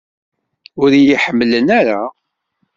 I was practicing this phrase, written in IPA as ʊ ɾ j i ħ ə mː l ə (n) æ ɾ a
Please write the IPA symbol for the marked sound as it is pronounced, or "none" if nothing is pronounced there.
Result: n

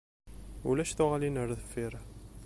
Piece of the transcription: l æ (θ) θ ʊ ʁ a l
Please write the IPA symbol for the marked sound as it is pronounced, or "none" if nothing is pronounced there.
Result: ʃ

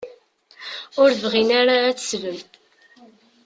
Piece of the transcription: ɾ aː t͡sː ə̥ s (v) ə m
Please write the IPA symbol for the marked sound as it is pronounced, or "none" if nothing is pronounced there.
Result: v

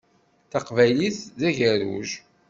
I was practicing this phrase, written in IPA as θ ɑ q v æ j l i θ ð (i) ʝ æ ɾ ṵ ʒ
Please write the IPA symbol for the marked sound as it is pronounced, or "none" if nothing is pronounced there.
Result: æ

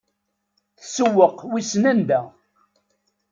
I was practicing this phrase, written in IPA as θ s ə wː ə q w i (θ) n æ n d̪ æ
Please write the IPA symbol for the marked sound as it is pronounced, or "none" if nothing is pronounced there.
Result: s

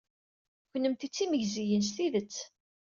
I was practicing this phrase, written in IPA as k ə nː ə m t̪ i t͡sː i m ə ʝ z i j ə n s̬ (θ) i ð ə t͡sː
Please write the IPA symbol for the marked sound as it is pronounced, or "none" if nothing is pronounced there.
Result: θ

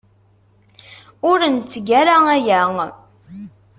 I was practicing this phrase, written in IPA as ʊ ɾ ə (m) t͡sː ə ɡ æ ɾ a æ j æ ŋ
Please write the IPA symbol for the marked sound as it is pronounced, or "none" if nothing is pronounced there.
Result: n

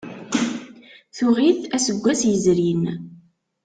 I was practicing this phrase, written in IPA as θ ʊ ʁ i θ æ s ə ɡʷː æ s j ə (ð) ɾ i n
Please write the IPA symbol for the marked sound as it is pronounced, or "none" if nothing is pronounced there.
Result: z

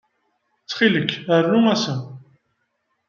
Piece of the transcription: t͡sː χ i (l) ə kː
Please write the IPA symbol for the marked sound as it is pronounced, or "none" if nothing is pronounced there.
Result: l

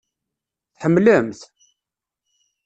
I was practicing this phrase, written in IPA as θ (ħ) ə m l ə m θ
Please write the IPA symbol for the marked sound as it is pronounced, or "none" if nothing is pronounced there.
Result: ħ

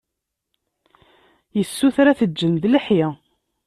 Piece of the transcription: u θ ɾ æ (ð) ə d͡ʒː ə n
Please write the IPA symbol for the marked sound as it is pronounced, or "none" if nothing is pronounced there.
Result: θ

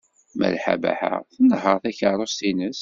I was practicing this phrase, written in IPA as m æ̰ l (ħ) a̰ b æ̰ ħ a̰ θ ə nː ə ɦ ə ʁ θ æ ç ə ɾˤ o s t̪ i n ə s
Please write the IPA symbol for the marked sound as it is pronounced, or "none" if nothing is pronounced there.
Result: ħ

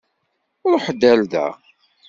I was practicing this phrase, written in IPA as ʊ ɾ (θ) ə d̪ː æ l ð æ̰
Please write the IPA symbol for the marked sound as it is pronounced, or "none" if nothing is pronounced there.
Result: ħ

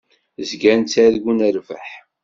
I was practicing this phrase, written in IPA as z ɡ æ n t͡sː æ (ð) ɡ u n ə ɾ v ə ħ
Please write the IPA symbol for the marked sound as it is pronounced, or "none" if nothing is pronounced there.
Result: ð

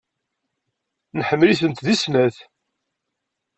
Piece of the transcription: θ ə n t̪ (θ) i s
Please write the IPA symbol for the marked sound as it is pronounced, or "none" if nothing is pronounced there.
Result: ð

